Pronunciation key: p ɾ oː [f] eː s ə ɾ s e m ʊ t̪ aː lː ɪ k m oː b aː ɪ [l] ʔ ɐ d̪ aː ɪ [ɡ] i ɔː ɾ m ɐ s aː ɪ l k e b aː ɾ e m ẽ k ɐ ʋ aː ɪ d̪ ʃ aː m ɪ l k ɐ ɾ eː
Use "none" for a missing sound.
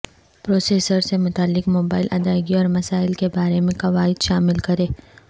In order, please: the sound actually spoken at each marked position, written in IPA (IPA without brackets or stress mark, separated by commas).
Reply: s, l, ɡ